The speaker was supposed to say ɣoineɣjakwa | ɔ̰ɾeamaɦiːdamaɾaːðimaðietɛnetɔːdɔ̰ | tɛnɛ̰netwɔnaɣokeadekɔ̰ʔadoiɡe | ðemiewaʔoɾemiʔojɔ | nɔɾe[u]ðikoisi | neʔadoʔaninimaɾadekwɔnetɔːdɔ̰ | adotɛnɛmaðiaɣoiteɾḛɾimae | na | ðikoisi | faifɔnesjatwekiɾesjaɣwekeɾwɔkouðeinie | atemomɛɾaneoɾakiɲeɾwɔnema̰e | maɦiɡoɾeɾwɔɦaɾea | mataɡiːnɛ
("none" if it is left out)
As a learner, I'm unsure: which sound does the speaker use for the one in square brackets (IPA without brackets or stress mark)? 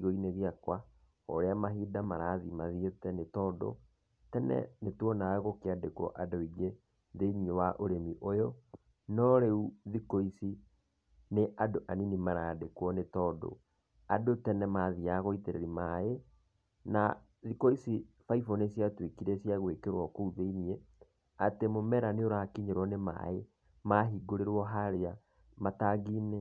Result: u